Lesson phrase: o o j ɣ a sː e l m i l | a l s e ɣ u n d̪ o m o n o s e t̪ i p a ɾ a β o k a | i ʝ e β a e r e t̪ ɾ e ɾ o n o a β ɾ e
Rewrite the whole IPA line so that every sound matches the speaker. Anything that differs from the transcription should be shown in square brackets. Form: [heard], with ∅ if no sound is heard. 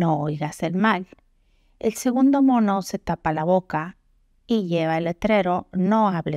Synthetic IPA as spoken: o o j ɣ a [s] e l m [a] l | [e] l s e ɣ u n d̪ o m o n o s e t̪ [a] p a [l] a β o k a | i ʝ e β a e [l] e t̪ ɾ e ɾ o n o a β [l] e